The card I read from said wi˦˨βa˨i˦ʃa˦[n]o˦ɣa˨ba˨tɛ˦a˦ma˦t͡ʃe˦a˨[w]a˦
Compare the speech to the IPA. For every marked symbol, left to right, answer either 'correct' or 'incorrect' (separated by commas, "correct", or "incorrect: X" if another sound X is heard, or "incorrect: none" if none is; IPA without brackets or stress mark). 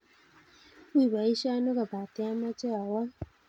correct, correct